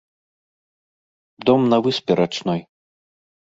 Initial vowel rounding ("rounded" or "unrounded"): rounded